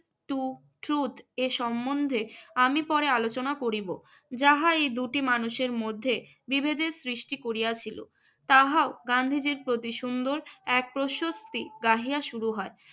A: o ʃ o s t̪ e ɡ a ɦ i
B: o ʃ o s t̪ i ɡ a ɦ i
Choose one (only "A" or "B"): B